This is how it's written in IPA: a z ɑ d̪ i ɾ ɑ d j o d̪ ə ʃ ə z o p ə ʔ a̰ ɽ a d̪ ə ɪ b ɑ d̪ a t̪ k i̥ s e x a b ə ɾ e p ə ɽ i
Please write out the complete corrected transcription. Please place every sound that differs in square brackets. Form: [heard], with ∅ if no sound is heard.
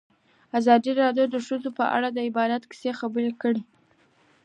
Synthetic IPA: a z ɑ d̪ i ɾ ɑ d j o d̪ ə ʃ ə z o p ə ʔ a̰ ɽ a d̪ ə ɪ b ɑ d̪ a t̪ k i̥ s e x a b ə ɾ e [k] ə ɽ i